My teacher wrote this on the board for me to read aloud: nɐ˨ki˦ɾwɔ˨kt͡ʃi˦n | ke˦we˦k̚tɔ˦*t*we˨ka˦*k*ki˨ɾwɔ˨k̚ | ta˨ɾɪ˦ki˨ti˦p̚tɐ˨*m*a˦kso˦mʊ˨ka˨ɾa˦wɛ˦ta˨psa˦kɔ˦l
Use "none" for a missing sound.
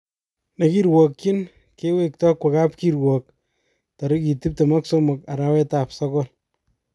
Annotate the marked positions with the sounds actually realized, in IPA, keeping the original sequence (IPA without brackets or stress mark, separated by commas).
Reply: k, p, m